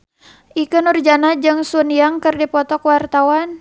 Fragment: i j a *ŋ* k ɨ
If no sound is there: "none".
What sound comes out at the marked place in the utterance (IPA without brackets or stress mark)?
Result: ŋ